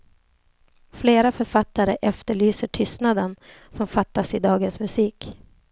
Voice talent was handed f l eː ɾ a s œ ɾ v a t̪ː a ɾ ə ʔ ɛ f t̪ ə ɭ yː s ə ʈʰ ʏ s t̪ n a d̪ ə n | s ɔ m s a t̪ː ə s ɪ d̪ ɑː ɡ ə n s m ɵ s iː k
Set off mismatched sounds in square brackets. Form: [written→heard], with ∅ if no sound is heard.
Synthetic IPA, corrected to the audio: f l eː ɾ a [s→f] œ ɾ [v→f] a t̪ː a ɾ ə ʔ ɛ f t̪ ə ɭ yː s ə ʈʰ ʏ s t̪ n a d̪ ə n | s ɔ m [s→f] a t̪ː [ə→a] s ɪ d̪ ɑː ɡ ə n s m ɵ s iː k